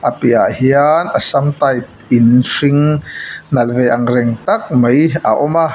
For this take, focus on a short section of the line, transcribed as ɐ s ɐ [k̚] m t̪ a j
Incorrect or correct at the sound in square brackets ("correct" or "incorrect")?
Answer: incorrect